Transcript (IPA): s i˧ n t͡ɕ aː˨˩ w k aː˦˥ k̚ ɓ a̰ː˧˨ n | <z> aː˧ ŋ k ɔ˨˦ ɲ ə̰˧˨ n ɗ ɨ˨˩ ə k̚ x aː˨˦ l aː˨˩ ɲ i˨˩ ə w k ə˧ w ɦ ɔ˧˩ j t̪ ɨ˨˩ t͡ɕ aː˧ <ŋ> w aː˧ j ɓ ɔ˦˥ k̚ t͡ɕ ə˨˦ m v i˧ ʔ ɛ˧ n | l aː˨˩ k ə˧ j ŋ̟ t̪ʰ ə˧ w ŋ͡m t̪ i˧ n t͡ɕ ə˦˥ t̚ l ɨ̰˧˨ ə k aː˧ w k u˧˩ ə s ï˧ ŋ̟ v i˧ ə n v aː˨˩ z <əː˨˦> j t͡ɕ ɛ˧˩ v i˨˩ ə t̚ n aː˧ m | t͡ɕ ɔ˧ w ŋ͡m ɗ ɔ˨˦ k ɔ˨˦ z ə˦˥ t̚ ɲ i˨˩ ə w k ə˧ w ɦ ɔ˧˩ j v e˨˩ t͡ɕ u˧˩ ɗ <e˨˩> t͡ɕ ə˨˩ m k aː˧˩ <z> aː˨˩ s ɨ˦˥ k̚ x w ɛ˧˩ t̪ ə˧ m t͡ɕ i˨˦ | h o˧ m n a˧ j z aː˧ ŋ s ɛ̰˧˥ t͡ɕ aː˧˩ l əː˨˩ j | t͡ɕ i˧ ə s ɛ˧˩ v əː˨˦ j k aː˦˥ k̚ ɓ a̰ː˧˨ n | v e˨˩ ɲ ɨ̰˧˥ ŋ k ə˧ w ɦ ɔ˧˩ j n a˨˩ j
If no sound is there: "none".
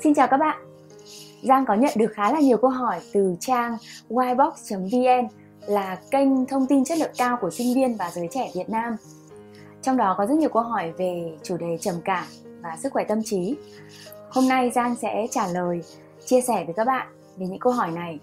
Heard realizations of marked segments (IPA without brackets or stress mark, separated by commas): z, ŋ, əː˨˦, e˨˩, v